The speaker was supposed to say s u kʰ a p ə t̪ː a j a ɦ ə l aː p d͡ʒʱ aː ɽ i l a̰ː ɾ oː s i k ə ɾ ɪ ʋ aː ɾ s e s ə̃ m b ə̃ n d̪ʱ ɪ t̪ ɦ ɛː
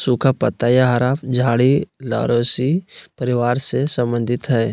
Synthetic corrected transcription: s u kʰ a p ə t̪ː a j a ɦ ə ɾ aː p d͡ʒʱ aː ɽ i l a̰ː ɾ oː s i p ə ɾ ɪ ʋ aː ɾ s e s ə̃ m b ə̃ n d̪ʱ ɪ t̪ ɦ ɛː